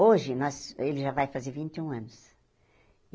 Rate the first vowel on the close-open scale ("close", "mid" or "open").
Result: mid